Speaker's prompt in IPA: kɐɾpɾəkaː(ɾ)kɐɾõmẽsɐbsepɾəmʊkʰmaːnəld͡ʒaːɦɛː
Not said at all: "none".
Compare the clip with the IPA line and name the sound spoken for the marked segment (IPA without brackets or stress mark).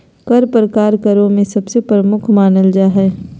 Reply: ɾ